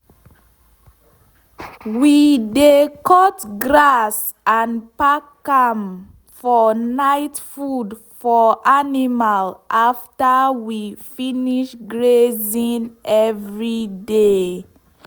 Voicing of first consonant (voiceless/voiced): voiced